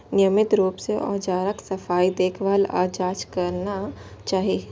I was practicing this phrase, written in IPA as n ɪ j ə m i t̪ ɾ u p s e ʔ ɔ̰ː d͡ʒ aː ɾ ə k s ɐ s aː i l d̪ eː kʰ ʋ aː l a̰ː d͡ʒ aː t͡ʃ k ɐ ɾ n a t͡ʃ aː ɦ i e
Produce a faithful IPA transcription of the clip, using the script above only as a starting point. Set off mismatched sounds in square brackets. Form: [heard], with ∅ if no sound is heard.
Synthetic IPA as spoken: n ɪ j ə m [ɪ] t̪ ɾ [uː] p s e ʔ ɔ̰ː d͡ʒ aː ɾ ə k s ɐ [f] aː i [∅] d̪ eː kʰ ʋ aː l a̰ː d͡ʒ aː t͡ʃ k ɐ ɾ n a t͡ʃ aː ɦ i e